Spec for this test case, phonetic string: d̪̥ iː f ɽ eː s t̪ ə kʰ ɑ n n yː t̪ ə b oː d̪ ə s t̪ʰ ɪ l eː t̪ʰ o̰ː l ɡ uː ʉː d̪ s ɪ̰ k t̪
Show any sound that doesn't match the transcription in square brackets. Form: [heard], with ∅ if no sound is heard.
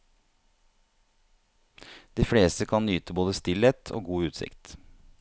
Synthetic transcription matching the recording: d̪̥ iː f ɽ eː s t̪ ə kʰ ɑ n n yː t̪ ə b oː d̪ ə s [t̪] ɪ l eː t̪ʰ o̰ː [∅] ɡ uː ʉː [t̪] s ɪ̰ k t̪